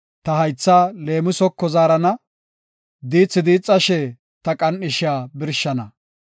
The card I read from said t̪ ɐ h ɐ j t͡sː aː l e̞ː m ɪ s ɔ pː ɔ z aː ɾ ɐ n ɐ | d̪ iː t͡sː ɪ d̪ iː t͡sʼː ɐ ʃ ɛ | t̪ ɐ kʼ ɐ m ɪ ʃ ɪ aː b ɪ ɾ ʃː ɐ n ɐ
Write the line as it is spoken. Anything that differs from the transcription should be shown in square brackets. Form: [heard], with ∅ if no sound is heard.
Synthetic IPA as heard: t̪ ɐ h ɐ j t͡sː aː l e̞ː m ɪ s ɔ [kː] ɔ z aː ɾ ɐ n ɐ | d̪ iː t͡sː ɪ d̪ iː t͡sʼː ɐ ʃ ɛ | t̪ ɐ kʼ ɐ [n] ɪ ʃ ɪ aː b ɪ ɾ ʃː ɐ n ɐ